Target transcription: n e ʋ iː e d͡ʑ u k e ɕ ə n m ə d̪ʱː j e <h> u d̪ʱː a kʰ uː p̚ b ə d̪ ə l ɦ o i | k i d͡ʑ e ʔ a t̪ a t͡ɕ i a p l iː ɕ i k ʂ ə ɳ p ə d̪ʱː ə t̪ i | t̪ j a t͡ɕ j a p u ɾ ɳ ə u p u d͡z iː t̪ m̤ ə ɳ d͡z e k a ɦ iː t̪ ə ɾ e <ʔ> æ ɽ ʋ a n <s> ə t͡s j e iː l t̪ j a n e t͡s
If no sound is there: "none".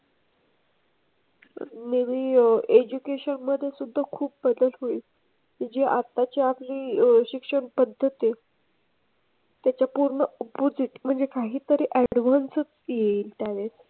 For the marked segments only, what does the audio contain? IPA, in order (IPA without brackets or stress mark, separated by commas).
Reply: s, ʔ, s